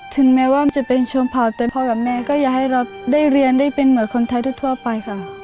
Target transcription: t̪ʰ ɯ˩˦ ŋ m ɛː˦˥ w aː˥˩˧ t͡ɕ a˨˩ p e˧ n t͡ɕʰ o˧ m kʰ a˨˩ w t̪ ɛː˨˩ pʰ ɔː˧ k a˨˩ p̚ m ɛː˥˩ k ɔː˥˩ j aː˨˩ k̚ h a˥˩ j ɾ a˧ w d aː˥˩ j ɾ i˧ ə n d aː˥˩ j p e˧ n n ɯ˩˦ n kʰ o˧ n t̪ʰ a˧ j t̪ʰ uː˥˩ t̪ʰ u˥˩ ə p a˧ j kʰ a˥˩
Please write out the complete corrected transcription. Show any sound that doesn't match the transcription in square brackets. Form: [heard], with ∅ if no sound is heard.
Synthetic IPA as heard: t̪ʰ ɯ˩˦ ŋ m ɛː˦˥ w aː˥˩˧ t͡ɕ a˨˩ p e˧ n t͡ɕʰ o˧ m [pʰ] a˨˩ w t̪ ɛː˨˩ pʰ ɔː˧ k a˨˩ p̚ m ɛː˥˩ k ɔː˥˩ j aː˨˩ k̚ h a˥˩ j ɾ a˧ w d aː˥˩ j ɾ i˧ ə n d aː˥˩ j p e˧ n [m] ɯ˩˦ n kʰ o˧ n t̪ʰ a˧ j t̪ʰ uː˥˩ t̪ʰ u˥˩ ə p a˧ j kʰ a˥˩